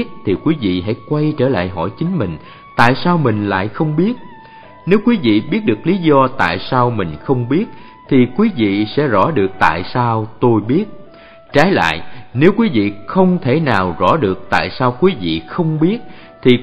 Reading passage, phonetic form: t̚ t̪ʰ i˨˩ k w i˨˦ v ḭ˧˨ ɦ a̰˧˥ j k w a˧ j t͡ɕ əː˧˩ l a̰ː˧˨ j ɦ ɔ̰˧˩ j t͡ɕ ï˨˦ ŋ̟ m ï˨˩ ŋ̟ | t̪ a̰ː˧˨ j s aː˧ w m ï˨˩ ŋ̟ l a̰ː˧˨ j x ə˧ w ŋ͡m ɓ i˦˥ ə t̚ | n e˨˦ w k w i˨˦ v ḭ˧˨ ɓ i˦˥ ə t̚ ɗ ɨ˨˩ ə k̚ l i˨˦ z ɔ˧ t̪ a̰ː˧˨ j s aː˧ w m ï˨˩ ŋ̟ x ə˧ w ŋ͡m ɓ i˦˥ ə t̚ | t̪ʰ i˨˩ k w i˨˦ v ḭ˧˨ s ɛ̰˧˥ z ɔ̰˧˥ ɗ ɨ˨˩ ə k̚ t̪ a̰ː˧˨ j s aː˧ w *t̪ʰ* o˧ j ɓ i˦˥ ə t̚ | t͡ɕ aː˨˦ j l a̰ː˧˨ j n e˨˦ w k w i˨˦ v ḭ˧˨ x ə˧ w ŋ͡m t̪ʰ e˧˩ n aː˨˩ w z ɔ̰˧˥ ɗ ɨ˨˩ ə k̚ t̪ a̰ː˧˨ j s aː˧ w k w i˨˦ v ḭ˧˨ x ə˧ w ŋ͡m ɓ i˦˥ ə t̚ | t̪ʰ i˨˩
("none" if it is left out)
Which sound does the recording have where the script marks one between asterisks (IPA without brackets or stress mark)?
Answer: t̪